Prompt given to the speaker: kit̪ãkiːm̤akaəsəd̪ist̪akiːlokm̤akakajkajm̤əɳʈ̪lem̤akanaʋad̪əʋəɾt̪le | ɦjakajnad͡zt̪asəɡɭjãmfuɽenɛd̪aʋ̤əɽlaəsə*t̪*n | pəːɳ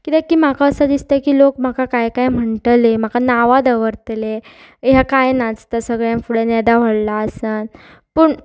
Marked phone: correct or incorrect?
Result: incorrect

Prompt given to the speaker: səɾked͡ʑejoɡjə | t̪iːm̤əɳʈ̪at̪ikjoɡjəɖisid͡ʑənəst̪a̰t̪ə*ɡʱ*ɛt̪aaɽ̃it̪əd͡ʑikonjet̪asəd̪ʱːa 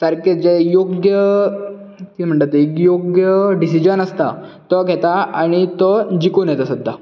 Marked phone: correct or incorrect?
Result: correct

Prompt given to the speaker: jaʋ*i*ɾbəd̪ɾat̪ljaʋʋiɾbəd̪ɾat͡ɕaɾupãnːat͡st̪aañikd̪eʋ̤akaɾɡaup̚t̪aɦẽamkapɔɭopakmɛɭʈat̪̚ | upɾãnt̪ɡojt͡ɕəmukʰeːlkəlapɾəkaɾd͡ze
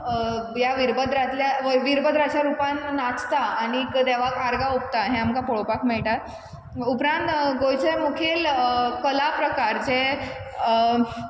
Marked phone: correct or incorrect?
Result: correct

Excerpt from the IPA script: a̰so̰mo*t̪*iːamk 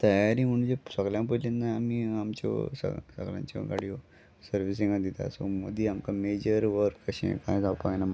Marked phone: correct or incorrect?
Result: incorrect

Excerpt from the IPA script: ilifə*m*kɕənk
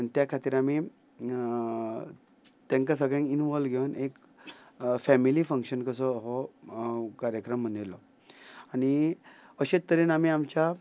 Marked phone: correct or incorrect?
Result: incorrect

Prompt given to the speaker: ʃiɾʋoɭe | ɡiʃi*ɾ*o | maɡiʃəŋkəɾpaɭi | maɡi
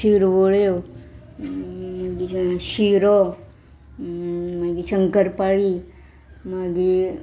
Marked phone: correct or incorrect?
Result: correct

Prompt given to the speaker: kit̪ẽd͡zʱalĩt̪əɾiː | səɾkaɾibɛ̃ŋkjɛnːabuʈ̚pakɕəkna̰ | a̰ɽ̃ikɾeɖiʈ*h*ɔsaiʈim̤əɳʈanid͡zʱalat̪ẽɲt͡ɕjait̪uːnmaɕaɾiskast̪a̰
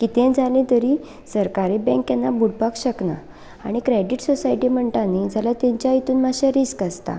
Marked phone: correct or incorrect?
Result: incorrect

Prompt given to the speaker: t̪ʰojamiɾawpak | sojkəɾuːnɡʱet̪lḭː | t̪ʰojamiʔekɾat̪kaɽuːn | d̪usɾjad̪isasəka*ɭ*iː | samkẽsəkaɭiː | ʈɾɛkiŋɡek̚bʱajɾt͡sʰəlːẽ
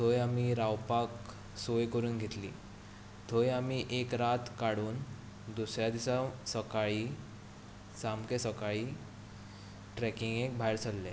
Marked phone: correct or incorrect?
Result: correct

